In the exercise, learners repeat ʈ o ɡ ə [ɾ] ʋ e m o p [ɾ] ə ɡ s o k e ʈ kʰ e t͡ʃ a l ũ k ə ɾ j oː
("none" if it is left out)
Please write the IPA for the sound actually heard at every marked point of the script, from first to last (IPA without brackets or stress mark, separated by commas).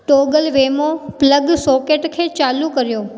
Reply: l, l